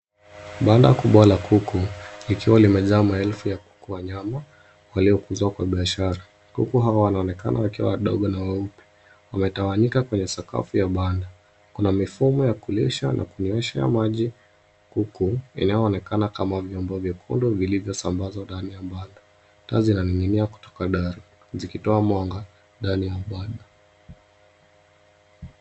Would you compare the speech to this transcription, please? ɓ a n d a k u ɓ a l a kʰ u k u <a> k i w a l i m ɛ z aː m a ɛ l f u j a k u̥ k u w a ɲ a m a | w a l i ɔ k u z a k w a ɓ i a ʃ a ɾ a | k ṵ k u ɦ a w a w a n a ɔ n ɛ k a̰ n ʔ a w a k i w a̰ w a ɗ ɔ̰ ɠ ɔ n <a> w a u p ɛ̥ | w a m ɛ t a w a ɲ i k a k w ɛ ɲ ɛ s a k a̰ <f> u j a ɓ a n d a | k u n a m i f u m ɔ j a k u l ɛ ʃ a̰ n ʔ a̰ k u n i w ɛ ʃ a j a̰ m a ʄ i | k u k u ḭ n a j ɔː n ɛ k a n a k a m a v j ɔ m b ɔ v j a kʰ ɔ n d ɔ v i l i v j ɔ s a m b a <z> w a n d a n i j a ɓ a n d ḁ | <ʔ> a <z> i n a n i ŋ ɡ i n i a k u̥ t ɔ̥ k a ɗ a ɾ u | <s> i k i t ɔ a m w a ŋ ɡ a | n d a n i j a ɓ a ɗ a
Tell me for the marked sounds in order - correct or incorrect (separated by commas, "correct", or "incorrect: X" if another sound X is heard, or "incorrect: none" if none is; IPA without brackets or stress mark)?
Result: incorrect: i, correct, correct, correct, incorrect: t, correct, incorrect: z